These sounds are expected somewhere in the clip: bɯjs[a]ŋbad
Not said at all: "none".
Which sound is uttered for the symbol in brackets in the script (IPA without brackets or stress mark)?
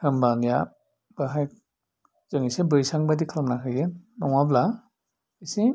a